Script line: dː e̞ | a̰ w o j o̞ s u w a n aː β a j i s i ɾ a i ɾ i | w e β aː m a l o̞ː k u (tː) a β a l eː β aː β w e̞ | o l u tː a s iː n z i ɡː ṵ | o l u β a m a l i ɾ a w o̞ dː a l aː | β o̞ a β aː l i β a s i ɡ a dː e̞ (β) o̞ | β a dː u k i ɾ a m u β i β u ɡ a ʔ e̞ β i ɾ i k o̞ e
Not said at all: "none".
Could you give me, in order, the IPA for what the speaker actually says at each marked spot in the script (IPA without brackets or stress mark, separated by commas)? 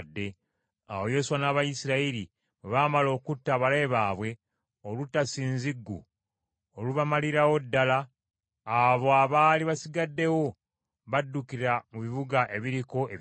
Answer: tː, w